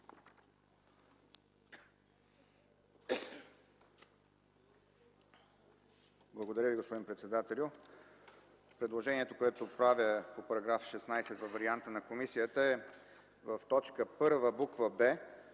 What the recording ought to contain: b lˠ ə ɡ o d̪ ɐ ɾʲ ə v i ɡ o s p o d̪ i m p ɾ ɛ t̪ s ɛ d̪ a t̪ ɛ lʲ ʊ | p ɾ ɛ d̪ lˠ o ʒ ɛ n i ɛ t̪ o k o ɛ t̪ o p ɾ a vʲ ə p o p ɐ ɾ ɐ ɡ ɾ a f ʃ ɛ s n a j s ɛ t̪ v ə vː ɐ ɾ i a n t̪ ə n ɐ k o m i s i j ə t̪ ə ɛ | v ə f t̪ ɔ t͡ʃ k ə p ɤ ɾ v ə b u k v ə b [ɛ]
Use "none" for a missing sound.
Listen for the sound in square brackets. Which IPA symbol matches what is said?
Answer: ɛ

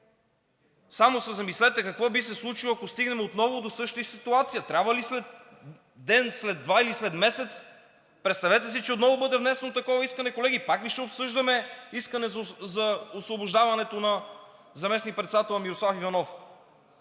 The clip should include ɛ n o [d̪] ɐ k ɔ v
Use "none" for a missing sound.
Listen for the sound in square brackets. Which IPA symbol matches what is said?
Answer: t̪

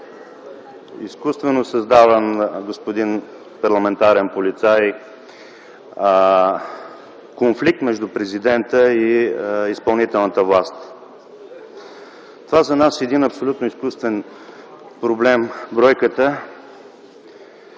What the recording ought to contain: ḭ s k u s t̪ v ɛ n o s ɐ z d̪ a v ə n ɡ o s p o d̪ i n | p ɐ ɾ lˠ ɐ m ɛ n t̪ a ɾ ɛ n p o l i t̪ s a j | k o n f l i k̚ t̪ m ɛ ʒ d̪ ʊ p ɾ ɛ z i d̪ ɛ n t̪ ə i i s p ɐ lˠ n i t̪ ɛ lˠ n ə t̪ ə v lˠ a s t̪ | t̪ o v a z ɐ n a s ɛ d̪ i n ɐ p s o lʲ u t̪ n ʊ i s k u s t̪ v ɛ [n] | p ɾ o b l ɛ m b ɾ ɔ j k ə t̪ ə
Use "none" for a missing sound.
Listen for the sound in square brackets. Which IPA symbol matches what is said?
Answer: n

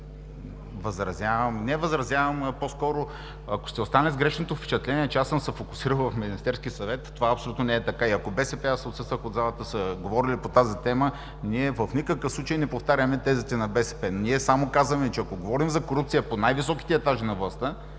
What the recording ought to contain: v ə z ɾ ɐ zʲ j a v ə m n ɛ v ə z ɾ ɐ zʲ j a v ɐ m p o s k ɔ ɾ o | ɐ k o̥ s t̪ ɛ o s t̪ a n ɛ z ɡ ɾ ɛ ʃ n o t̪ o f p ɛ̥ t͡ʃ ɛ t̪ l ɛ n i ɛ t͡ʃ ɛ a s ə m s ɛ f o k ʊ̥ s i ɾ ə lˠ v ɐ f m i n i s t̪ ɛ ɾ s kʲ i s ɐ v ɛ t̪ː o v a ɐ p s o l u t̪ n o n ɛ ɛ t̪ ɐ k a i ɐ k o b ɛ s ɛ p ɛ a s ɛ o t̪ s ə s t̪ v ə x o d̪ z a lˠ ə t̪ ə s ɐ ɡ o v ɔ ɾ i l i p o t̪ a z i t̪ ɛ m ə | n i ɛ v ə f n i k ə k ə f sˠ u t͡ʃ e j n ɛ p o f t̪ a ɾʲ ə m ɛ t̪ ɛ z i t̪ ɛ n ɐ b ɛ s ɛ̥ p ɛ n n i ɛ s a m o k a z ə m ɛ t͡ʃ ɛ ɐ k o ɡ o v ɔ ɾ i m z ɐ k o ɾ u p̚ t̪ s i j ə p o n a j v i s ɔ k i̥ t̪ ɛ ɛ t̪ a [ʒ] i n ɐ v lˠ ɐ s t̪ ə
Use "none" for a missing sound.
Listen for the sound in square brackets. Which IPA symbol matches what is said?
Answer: ʒ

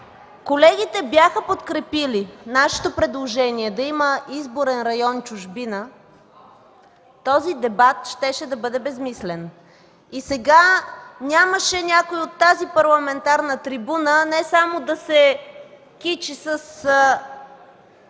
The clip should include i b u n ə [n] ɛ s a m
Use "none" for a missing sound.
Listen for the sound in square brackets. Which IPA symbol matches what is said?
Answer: n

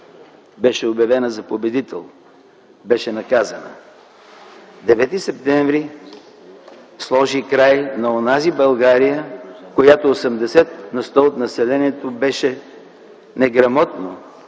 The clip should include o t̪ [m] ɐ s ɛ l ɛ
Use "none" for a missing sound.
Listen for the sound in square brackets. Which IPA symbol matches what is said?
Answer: n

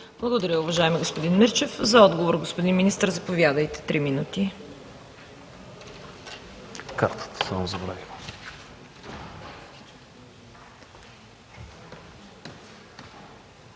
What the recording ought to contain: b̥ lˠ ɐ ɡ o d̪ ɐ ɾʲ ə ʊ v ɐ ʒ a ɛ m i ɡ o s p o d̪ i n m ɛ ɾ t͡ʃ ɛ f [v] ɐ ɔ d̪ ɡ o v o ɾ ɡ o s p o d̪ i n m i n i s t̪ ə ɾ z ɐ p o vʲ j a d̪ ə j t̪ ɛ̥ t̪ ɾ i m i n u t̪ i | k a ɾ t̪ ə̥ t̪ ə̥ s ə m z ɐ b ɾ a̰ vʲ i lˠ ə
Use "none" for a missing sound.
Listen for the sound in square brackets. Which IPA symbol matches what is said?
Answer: z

